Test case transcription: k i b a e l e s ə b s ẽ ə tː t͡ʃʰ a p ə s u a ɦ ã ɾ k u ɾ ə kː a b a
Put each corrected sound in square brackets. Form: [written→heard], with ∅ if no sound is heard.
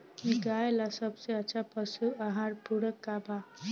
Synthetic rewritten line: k i [b→ɡ] a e l [e→a] s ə b s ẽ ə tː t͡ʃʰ a p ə s u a ɦ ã ɾ [k→p] u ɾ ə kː a b a

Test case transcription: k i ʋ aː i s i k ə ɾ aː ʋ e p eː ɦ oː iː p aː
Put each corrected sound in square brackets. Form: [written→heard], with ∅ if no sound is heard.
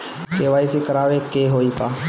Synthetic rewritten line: k [i→e] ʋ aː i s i k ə ɾ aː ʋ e [p→k] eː ɦ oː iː p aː

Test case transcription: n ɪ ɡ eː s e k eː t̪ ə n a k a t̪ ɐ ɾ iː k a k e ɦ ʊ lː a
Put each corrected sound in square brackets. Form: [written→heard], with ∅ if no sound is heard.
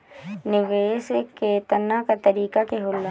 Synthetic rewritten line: n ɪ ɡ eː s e k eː t̪ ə n a k a t̪ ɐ ɾ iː k a k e ɦ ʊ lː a

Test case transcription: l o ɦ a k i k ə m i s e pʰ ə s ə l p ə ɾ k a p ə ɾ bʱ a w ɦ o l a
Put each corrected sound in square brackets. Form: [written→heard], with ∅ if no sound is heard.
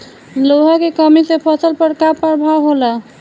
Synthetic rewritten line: l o ɦ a k [i→e] k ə m i s e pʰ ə s ə l p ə ɾ k a p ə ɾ bʱ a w ɦ o l a

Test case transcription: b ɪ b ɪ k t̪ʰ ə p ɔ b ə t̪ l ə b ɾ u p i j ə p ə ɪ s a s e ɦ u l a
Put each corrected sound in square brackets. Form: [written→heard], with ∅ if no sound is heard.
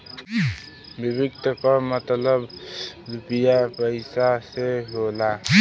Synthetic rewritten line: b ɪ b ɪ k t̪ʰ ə [p→k] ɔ [b→m] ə t̪ l ə b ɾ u p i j [ə→a] p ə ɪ s a s e ɦ [u→o] l a

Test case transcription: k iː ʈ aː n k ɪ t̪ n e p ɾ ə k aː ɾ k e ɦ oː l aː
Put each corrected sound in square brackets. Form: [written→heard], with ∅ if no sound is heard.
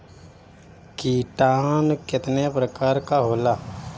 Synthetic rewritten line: k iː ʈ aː n k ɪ t̪ n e p ɾ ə k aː ɾ k [e→a] ɦ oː l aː

